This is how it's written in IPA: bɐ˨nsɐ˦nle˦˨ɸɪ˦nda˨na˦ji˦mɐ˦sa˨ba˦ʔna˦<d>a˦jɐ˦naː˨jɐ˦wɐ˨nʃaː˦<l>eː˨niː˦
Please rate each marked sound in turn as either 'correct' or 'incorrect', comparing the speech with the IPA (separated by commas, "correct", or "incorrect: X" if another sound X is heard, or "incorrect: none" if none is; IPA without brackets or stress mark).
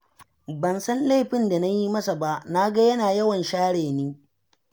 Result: incorrect: ɡ, incorrect: ɽ